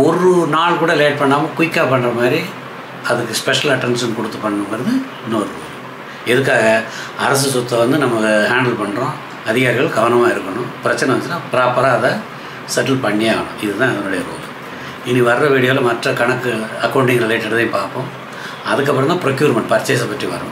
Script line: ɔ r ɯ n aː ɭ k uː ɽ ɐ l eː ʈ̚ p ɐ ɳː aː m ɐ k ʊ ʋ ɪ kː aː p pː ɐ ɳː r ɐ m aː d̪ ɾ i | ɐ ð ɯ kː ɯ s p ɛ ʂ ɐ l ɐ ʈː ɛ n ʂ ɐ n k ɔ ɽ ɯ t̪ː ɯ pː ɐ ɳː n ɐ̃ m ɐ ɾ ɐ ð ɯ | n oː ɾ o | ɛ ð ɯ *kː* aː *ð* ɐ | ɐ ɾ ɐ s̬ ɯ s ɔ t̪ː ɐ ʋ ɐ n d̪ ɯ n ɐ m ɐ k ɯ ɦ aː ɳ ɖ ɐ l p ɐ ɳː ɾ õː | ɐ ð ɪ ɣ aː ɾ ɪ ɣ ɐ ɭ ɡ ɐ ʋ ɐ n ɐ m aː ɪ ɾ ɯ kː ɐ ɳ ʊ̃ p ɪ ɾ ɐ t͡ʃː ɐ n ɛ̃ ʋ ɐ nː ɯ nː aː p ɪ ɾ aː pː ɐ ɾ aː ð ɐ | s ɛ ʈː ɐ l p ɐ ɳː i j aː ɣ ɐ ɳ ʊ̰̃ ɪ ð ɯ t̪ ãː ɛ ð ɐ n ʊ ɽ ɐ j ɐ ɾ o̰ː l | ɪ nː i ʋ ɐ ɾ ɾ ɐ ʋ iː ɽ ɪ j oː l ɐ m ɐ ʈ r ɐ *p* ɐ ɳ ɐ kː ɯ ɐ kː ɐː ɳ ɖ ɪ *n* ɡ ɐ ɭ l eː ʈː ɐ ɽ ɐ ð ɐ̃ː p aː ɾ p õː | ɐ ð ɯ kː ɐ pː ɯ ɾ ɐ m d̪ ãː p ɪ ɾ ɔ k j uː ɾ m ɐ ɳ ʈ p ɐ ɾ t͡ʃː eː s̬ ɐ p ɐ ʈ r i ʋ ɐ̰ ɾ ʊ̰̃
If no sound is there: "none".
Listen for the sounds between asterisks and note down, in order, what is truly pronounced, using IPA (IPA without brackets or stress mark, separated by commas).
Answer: kː, ɣ, k, ŋ